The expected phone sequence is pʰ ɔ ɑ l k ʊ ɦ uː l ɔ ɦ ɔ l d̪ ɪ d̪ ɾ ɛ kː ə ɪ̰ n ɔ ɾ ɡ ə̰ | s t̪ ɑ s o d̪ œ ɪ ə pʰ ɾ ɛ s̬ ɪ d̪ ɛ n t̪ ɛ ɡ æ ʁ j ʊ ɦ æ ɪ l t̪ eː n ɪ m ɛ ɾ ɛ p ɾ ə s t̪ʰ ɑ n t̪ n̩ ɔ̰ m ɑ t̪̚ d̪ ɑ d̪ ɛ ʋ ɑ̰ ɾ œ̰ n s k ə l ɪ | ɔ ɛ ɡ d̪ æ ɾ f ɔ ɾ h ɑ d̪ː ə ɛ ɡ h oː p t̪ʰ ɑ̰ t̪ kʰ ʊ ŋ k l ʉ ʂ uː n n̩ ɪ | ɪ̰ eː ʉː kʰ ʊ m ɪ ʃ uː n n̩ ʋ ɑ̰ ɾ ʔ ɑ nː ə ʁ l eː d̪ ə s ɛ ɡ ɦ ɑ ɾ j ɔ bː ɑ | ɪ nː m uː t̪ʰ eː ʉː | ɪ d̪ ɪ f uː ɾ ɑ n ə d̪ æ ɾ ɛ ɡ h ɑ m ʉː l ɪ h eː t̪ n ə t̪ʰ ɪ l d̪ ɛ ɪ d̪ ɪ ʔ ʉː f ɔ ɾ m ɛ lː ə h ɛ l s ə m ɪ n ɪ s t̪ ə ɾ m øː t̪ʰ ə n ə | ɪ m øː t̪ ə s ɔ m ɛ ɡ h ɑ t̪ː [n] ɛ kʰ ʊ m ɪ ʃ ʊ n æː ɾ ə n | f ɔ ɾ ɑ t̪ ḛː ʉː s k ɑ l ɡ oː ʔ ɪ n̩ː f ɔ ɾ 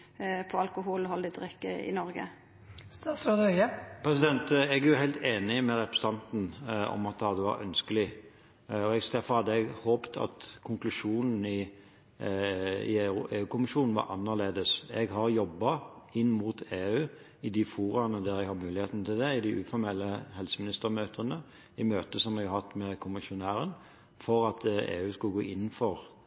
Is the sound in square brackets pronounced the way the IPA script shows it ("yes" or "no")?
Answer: no